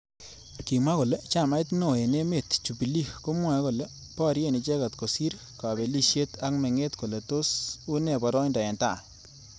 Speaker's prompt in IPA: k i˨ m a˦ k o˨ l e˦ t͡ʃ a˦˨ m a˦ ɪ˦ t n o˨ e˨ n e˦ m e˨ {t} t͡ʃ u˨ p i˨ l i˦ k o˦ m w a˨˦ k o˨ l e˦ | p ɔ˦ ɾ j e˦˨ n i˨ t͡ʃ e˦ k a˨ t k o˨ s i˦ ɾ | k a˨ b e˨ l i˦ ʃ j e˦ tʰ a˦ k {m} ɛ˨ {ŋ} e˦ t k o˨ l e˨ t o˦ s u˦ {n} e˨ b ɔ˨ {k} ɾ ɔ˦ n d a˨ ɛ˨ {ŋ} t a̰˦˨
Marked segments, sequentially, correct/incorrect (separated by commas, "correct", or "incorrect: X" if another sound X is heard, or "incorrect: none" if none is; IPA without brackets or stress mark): correct, correct, correct, correct, incorrect: none, incorrect: n